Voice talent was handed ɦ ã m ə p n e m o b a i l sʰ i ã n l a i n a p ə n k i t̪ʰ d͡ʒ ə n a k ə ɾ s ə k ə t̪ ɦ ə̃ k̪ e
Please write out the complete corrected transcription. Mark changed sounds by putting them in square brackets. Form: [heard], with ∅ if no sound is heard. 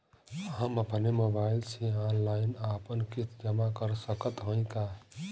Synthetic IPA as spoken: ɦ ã m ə p n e m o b a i l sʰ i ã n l a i n a p ə n k i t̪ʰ d͡ʒ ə [m] a k ə ɾ s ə k ə t̪ ɦ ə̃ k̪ [a]